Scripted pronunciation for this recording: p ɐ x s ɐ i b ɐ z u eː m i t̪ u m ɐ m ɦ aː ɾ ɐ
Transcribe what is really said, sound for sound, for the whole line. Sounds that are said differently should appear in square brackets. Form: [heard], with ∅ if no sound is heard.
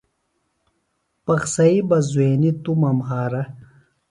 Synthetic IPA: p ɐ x s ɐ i b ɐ z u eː [n] i t̪ u m ɐ m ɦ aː ɾ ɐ